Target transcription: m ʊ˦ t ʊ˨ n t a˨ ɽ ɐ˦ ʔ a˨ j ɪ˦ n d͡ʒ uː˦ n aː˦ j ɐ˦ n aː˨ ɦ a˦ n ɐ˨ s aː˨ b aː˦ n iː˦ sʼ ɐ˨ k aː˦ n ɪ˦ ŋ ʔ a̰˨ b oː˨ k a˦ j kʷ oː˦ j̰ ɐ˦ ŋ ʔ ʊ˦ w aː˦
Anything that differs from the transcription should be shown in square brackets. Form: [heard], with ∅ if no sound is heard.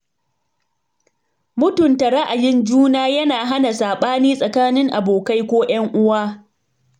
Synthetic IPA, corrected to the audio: m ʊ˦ t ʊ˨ n t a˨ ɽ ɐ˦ ʔ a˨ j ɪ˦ n d͡ʒ uː˦ n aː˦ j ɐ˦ n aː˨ ɦ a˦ n [a˨] s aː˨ [ɓ] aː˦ n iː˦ sʼ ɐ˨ k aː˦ n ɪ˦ ŋ ʔ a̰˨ b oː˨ k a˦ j kʷ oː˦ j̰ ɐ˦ ŋ ʔ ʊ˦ w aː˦

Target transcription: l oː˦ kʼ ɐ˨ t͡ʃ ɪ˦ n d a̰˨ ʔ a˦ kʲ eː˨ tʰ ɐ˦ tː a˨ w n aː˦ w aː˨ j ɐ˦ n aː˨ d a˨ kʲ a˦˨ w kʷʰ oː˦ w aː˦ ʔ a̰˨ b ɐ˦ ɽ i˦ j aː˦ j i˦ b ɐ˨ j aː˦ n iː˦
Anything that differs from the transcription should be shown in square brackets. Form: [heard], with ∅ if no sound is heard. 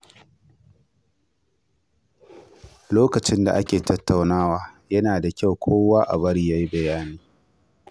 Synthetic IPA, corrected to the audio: l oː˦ [k] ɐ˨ t͡ʃ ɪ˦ n d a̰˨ ʔ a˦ kʲ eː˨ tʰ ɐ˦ tː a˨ w n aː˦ w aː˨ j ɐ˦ n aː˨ d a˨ kʲ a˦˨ w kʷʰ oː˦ w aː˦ ʔ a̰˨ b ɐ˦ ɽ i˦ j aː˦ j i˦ b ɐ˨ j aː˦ n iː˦

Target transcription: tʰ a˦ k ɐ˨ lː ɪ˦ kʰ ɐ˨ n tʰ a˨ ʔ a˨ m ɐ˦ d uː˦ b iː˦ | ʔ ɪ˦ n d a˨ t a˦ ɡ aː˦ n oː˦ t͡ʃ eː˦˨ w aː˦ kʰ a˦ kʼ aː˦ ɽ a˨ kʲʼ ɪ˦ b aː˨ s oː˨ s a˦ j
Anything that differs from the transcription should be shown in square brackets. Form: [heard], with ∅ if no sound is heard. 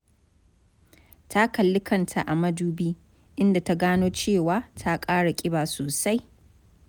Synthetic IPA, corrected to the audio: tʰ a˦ k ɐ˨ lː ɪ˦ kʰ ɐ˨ n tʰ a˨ ʔ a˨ m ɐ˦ d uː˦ b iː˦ | ʔ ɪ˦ n d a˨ t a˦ ɡ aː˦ n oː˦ t͡ʃ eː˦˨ w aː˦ [tʰ] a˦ kʼ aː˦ ɽ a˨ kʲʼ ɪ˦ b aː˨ s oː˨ s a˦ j

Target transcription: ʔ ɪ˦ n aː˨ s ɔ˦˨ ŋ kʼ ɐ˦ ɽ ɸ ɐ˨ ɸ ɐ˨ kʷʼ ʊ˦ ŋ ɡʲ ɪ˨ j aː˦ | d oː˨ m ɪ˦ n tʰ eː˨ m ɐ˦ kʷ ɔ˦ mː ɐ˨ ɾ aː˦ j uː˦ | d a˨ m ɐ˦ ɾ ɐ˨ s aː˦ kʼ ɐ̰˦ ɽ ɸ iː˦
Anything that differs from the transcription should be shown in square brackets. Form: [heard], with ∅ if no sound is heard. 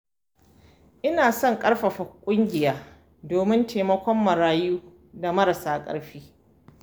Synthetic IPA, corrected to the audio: ʔ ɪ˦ n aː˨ s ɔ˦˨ ŋ kʼ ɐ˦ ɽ ɸ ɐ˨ ɸ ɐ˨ kʷʼ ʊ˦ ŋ ɡʲ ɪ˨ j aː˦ | d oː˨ m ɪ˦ n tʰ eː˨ m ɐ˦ kʷ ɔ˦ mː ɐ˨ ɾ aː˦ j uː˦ | d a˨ m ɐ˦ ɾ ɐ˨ s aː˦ kʼ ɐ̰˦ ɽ ɸ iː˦

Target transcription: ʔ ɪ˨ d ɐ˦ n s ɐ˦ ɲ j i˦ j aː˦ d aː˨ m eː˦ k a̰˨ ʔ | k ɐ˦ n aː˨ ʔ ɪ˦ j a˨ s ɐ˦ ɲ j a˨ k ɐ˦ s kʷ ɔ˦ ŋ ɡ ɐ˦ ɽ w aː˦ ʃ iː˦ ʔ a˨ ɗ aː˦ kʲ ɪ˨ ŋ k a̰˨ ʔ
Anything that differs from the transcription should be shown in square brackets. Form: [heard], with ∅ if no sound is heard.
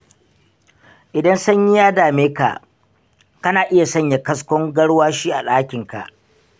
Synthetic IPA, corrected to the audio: ʔ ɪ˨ d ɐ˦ n s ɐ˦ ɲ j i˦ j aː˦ d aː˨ m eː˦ k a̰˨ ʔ | k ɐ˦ n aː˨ ʔ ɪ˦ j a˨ s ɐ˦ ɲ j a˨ k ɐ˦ s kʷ ɔ˦ ŋ ɡ ɐ˦ ɽ w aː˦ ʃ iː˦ ʔ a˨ ɗ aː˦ kʲ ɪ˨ ŋ k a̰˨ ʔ

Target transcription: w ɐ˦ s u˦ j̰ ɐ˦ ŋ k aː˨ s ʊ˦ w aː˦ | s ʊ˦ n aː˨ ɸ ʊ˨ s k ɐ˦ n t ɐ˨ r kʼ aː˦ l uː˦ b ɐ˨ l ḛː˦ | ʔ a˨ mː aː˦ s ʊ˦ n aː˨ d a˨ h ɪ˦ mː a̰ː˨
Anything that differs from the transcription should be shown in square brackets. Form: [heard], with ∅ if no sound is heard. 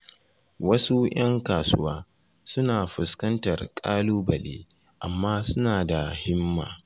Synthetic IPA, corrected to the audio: w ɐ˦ s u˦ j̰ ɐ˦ ŋ k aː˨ s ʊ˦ w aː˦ | s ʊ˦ n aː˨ ɸ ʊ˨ s k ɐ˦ n t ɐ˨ r kʼ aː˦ l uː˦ b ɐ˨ l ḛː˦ | ʔ a˨ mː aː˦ s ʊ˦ n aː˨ d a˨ h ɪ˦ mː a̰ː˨

